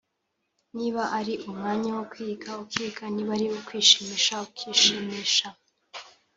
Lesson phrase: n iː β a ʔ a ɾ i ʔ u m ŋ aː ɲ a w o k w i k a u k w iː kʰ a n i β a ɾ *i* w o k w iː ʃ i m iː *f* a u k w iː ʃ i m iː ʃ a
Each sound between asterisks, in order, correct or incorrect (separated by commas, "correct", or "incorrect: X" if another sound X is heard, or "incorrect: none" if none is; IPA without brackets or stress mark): correct, incorrect: ʃ